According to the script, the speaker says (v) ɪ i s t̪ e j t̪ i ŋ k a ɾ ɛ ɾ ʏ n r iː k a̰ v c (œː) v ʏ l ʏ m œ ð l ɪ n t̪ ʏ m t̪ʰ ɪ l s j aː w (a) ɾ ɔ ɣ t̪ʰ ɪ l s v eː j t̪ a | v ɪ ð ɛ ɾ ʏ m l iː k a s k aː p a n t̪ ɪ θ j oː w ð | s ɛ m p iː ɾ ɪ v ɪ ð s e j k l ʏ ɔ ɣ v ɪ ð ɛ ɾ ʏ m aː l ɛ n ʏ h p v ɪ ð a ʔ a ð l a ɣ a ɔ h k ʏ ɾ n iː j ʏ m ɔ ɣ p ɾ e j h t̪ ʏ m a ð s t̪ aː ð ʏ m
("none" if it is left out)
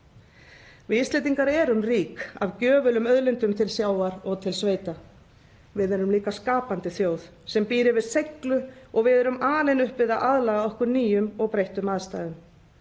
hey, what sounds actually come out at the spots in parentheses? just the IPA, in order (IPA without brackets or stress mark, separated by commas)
v, œː, a